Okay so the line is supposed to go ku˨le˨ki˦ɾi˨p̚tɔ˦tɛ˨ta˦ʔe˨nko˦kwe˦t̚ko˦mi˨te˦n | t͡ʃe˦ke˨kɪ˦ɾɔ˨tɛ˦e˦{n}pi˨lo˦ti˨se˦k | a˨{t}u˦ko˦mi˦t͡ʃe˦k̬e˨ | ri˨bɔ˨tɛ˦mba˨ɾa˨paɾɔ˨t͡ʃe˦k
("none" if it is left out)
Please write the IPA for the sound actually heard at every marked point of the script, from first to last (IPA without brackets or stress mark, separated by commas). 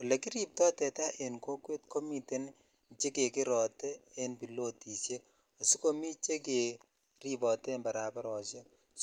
n, s